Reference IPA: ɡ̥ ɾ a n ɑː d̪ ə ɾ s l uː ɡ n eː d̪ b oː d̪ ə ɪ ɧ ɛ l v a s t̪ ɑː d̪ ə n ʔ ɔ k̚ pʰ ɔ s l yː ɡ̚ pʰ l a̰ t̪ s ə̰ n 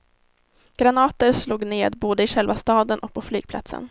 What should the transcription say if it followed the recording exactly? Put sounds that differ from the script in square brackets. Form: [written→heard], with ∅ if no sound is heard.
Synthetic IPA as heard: ɡ̥ ɾ a n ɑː [d̪→t̪] ə ɾ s l uː ɡ n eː d̪ b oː d̪ ə ɪ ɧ ɛ l v a s t̪ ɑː d̪ ə n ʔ ɔ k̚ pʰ ɔ [s→f] l yː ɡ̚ pʰ l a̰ t̪ s ə̰ n